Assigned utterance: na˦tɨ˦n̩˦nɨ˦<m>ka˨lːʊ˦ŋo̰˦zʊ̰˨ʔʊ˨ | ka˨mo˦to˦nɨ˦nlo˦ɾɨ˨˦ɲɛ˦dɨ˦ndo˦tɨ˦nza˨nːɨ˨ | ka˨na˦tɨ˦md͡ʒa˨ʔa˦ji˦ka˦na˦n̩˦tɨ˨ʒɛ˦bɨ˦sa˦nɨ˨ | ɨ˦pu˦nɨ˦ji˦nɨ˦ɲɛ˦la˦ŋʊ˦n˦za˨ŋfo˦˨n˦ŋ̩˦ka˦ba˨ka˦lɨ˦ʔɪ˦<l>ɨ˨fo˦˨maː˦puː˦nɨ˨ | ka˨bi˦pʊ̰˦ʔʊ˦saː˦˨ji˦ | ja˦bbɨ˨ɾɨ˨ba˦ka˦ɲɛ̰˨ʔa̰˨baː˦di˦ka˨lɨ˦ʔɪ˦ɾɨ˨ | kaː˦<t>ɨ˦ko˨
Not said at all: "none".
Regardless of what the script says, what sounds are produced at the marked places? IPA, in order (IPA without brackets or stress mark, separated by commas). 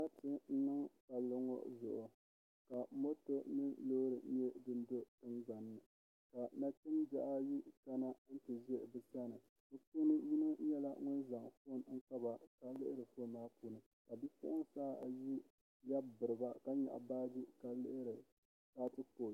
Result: ŋ, ɾ, t